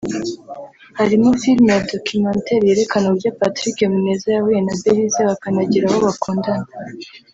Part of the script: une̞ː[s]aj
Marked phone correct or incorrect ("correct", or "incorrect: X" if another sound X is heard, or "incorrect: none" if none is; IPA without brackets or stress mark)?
incorrect: z